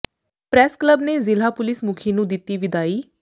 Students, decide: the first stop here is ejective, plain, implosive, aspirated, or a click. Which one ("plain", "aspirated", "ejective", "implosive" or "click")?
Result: plain